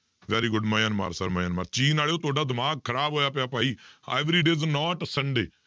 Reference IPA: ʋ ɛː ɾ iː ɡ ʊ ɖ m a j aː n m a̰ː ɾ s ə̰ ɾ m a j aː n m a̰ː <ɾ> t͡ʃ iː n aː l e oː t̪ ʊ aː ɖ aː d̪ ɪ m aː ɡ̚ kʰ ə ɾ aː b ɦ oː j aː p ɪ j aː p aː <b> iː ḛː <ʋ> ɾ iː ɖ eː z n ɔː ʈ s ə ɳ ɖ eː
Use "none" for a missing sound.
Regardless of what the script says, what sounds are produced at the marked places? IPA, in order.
ɾ, none, ʋ

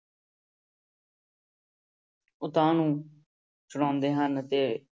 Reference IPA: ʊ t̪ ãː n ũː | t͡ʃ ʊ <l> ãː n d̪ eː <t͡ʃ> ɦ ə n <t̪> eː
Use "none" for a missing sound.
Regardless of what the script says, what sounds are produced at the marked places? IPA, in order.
ɽ, none, t̪

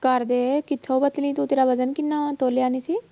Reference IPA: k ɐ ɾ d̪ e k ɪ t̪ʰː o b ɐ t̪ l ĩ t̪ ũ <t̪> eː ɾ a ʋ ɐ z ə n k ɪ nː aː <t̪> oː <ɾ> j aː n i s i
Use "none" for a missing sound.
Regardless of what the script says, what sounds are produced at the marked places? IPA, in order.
t̪, t̪, l

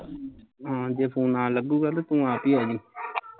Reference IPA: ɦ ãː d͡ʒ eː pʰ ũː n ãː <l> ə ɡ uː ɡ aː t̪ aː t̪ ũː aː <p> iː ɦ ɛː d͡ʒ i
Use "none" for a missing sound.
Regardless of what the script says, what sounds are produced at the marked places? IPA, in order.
l, p

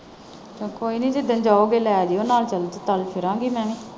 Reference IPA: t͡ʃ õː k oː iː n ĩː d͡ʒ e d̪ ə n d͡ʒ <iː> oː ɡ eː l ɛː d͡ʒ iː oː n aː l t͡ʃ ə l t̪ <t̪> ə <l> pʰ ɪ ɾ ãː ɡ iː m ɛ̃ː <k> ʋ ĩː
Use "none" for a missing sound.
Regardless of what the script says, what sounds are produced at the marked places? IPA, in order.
aː, t̪, l, none

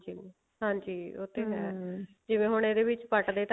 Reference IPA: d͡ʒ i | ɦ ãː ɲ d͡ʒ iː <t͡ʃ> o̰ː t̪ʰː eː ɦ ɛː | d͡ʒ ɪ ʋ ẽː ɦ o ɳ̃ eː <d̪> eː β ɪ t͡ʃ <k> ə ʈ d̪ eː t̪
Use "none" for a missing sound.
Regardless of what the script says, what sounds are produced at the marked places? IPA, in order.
none, d̪, p

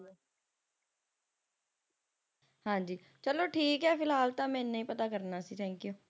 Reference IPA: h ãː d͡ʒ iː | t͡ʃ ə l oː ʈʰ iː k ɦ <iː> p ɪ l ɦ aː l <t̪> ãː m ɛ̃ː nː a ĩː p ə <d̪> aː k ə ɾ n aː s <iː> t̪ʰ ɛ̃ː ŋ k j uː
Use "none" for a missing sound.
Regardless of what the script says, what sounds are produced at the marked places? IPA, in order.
ɛː, t̪, t̪, iː

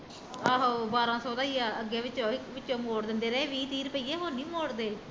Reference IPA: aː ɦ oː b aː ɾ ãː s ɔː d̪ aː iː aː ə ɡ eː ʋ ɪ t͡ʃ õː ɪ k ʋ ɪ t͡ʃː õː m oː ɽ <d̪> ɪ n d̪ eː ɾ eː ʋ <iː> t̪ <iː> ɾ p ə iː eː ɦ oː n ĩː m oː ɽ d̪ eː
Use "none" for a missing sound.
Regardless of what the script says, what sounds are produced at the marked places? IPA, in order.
d̪, iː, iː

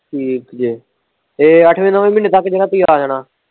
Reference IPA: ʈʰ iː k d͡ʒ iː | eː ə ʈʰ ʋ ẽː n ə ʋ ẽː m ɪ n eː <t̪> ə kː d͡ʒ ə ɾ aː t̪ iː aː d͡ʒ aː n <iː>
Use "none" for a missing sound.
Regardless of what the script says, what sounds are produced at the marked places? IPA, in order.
t̪, aː

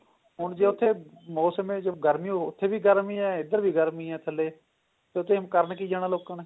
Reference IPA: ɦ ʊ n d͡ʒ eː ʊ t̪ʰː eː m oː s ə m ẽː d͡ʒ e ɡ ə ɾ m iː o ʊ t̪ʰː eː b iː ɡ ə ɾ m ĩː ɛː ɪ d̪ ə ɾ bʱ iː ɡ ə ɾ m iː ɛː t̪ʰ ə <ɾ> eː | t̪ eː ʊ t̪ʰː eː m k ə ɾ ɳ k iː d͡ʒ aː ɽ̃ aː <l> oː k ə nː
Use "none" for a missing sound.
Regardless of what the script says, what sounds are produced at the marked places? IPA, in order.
l, l

